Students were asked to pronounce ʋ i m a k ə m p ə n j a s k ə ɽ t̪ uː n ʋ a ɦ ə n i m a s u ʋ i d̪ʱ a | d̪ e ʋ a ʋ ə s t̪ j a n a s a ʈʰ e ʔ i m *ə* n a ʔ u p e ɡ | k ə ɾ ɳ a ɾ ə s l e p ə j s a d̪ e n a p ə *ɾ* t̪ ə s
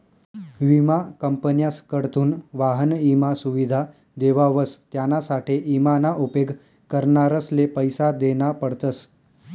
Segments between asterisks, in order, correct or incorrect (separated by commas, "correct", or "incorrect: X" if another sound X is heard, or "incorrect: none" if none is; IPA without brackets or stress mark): incorrect: a, incorrect: ɽ